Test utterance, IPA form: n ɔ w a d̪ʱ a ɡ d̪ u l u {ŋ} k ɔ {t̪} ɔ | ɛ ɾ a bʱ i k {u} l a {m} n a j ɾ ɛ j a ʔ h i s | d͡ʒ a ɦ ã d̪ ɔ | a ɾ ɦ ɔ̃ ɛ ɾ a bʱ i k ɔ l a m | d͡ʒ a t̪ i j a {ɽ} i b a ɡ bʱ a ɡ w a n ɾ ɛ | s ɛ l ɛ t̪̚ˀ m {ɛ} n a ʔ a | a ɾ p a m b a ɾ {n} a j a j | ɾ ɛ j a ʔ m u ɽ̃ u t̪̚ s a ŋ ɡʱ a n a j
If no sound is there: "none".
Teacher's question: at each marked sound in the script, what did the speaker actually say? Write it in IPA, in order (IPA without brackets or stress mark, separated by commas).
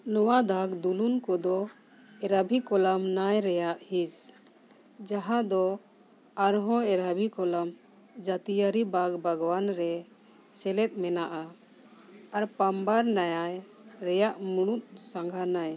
n, d̪, ɔ, m, ɾ, ɛ, n